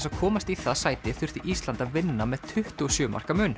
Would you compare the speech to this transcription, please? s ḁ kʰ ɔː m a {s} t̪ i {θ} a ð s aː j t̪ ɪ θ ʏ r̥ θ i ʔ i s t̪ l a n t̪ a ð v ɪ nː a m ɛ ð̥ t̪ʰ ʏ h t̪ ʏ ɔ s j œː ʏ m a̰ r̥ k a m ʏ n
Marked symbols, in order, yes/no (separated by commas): yes, yes